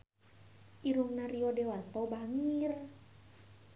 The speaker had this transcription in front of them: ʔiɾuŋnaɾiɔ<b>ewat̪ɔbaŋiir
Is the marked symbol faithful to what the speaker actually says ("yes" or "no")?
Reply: no